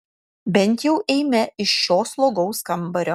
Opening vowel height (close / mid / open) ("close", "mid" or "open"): mid